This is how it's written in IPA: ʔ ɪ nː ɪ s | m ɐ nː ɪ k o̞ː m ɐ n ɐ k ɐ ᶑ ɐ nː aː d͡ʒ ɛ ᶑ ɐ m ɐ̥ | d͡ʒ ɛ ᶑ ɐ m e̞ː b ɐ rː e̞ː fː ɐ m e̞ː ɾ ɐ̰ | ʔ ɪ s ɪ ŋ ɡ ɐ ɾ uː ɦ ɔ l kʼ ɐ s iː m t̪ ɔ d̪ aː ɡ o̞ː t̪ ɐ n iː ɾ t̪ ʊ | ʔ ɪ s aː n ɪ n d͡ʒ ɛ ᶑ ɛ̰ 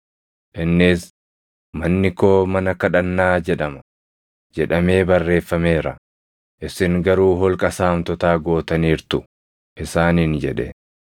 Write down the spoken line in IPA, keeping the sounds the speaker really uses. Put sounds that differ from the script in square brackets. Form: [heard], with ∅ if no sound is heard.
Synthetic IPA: ʔ ɪ nː ɪ s | m ɐ nː ɪ k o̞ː m ɐ n ɐ k ɐ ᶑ ɐ nː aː d͡ʒ ɛ ᶑ ɐ m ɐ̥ | d͡ʒ ɛ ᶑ ɐ m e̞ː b ɐ rː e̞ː fː ɐ m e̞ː ɾ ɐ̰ | ʔ ɪ s ɪ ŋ ɡ ɐ ɾ uː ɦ ɔ l kʼ ɐ s [aː] m t̪ ɔ [t̪] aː ɡ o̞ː t̪ ɐ n iː ɾ t̪ ʊ | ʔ ɪ s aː n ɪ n d͡ʒ ɛ ᶑ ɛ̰

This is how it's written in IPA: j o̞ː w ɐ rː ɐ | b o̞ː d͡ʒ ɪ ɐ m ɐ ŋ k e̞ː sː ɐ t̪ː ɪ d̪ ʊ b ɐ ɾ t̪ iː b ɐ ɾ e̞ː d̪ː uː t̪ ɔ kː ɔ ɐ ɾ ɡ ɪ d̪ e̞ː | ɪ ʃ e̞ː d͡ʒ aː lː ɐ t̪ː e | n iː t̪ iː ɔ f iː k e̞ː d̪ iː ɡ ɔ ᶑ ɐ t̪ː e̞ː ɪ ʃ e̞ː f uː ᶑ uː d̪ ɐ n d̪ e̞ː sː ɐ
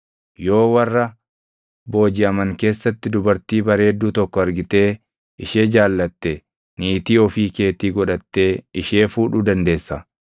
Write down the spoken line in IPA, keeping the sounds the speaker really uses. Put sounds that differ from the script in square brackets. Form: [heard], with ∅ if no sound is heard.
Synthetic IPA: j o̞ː w ɐ rː ɐ | b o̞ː d͡ʒ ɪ ɐ m ɐ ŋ k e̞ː sː ɐ t̪ː ɪ d̪ ʊ b ɐ ɾ t̪ iː b ɐ ɾ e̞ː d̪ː uː t̪ ɔ kː ɔ ɐ ɾ ɡ ɪ [t̪] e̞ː | ɪ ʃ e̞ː d͡ʒ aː lː ɐ t̪ː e | n iː t̪ iː ɔ f iː k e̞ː [t̪] iː ɡ ɔ ᶑ ɐ t̪ː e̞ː ɪ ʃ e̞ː f uː ᶑ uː d̪ ɐ n d̪ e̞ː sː ɐ

